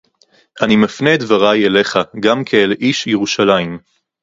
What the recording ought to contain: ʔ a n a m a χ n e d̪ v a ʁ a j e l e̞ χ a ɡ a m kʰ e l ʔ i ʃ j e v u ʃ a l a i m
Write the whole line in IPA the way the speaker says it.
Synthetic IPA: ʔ a n i m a f n e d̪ v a ʁ a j e l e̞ χ a ɡ a m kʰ e l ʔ i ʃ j e ʁ u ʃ a l a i m